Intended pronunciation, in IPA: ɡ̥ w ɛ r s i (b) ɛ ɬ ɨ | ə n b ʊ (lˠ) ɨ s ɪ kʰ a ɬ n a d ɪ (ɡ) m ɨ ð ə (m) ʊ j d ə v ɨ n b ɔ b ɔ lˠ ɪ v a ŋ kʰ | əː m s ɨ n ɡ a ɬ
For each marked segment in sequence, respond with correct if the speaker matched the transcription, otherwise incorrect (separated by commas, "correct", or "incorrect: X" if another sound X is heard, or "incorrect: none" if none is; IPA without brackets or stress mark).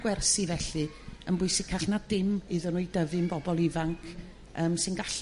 incorrect: v, incorrect: none, incorrect: none, incorrect: n